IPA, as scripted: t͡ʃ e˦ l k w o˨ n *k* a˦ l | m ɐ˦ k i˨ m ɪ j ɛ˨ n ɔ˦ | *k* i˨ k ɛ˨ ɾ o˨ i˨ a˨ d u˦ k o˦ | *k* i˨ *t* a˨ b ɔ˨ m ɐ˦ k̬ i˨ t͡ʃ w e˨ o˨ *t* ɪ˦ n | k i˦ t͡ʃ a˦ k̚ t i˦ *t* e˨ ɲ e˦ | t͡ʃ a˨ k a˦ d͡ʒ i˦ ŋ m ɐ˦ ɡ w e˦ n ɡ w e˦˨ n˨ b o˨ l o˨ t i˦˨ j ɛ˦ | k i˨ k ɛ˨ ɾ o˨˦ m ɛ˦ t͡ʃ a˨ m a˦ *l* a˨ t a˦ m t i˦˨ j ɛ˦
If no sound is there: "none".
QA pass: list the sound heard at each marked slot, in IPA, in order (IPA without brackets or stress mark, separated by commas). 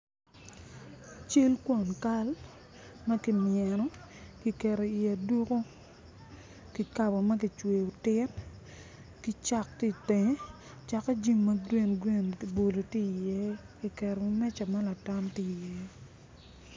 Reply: k, k, k, k, t, t, l